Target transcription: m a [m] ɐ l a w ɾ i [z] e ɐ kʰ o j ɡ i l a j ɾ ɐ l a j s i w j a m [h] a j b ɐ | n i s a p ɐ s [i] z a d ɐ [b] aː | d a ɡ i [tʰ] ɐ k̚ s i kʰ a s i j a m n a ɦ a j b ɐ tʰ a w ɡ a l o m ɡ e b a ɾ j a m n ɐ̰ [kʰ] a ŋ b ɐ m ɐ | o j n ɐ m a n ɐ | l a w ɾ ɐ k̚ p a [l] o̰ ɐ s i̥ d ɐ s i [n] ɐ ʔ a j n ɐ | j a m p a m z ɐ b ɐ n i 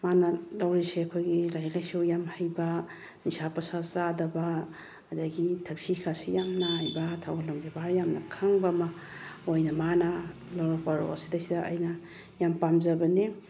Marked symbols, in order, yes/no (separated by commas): no, no, yes, no, yes, yes, yes, no, no